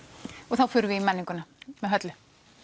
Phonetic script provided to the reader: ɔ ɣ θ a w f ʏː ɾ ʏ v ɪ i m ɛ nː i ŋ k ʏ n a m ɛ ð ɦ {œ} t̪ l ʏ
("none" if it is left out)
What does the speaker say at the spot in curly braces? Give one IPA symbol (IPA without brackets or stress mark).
œ